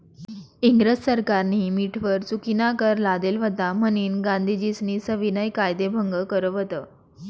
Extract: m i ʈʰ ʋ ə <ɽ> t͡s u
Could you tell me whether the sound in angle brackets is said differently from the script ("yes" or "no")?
yes